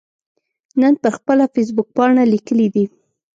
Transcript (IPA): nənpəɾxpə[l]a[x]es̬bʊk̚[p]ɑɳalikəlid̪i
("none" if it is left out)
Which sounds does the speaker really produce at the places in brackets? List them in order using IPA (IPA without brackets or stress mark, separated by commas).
l, f, p